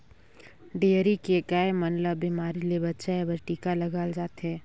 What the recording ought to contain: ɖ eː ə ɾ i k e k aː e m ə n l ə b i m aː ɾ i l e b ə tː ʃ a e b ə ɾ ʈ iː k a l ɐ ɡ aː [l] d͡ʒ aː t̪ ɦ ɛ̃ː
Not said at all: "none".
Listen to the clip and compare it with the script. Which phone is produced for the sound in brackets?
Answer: l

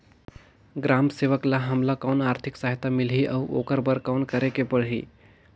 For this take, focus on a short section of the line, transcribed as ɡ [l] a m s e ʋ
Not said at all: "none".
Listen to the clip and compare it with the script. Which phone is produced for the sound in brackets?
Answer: ɾ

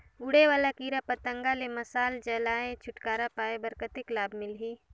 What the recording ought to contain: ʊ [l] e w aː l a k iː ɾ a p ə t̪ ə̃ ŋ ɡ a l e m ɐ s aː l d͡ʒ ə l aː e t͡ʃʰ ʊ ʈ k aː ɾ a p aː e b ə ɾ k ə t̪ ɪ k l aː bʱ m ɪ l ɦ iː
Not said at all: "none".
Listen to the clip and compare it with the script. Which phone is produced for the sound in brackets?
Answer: ɽ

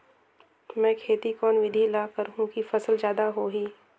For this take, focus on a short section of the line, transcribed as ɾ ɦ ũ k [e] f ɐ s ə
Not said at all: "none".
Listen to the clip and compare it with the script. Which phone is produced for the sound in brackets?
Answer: i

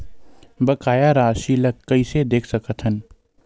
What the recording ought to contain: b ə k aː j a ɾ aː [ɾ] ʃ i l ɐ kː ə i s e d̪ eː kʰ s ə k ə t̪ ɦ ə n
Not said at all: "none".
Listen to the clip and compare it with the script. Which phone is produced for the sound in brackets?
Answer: none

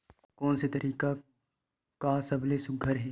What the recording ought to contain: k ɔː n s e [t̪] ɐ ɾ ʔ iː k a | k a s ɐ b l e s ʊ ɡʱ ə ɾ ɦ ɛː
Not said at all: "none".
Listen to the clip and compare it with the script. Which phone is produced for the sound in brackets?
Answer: t̪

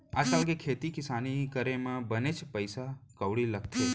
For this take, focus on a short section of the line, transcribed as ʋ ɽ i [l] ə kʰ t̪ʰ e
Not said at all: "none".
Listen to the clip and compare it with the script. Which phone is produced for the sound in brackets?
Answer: l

